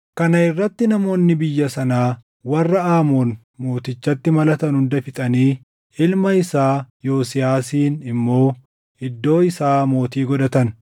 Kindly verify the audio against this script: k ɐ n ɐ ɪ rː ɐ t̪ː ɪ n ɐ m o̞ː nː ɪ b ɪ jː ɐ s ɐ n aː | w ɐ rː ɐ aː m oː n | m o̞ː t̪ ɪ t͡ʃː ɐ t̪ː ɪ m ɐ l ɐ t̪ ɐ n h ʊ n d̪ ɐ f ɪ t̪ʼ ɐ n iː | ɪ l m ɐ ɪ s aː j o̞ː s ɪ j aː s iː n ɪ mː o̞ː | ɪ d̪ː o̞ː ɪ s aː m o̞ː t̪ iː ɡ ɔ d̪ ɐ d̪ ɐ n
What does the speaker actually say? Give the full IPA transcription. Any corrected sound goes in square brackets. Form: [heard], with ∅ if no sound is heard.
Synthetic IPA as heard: k ɐ n ɐ ɪ rː ɐ t̪ː ɪ n ɐ m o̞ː nː ɪ b ɪ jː ɐ s ɐ n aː | w ɐ rː ɐ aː m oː n | m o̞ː t̪ ɪ t͡ʃː ɐ t̪ː ɪ m ɐ l ɐ t̪ ɐ n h ʊ n d̪ ɐ f ɪ t̪ʼ ɐ n iː | ɪ l m ɐ ɪ s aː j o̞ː s ɪ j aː s iː n ɪ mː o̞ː | ɪ d̪ː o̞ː ɪ s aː m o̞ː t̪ iː ɡ ɔ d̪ ɐ [t̪] ɐ n